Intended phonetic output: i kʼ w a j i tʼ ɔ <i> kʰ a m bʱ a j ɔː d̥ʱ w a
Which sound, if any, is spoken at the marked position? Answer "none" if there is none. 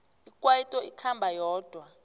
i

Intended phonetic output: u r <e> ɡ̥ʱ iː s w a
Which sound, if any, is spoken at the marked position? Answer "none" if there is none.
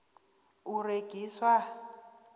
e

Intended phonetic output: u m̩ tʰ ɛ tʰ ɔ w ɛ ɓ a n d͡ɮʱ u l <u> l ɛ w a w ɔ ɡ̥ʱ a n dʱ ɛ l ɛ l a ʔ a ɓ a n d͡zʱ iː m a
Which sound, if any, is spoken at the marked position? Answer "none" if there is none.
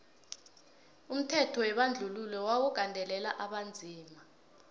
u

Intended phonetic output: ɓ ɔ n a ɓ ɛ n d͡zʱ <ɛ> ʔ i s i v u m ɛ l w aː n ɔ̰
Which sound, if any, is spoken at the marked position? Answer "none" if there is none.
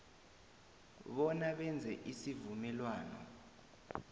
ɛ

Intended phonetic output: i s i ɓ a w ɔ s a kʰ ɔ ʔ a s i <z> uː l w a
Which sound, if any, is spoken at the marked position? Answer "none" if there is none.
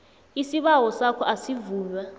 v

